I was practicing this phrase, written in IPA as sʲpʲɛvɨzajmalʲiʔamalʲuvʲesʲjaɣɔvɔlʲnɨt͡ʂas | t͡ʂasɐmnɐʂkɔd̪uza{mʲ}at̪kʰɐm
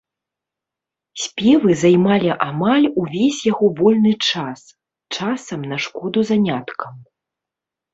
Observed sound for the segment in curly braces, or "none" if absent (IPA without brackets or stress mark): nʲ